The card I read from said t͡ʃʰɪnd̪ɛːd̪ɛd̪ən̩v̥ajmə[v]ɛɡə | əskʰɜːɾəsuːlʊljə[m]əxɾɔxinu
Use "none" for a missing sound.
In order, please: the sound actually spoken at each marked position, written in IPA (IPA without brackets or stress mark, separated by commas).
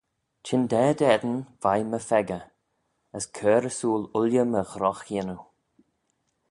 f, m